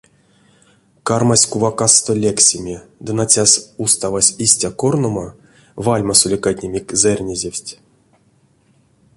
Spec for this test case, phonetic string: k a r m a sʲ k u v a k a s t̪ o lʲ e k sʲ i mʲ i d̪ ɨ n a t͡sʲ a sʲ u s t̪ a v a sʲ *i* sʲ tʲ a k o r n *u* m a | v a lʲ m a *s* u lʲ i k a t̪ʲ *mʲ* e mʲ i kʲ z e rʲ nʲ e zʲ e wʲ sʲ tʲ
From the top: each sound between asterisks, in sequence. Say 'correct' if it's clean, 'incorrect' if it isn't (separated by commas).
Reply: correct, incorrect, correct, incorrect